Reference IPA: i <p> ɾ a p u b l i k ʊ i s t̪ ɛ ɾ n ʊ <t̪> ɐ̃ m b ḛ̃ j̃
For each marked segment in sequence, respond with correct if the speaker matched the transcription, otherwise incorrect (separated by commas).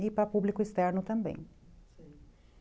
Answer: correct, correct